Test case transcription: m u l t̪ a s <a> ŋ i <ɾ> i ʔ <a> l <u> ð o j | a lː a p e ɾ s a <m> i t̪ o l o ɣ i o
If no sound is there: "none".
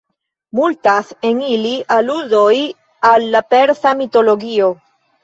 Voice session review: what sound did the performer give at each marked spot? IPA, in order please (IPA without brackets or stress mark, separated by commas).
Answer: e, l, a, u, m